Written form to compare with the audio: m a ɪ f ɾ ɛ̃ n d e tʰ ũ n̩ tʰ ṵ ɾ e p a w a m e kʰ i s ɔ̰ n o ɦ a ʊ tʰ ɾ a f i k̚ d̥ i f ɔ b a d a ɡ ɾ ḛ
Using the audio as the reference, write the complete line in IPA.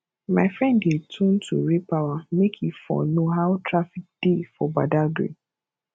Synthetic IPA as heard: m a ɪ f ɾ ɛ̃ n d e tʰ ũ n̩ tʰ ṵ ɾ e p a w a m e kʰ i f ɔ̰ n o ɦ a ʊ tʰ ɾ a f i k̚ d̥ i f ɔ b a d a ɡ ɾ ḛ